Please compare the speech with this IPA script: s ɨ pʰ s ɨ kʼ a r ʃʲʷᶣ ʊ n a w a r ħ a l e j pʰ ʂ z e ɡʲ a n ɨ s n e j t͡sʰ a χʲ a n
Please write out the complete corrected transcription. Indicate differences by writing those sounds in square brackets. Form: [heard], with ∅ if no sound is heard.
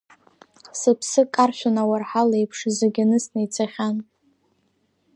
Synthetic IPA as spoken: s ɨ pʰ s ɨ kʼ a r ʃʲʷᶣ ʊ n a w a r ħ a l e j pʰ ʂ z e ɡʲ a n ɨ s n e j t͡sʰ a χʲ a n